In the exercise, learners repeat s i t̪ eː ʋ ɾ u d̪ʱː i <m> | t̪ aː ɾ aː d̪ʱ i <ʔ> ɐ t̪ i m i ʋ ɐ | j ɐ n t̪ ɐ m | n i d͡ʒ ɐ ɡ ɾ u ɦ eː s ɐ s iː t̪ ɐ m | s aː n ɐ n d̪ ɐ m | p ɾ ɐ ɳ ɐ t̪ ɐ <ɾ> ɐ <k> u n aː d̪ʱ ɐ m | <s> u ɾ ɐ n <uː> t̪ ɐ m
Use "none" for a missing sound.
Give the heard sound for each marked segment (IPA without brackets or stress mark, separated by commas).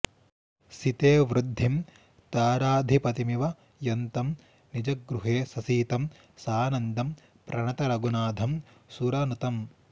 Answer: m, p, ɾ, ɡ, s, u